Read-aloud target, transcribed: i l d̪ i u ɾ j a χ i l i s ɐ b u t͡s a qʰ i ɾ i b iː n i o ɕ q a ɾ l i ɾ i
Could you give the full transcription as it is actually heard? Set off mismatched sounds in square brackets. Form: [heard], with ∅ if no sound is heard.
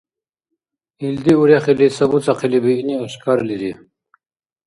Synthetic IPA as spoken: i l d̪ i u ɾ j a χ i l i s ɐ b u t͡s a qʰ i [l] i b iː n i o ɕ [k] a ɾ l i ɾ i